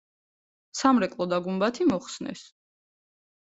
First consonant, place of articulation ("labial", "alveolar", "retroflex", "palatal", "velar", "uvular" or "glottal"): alveolar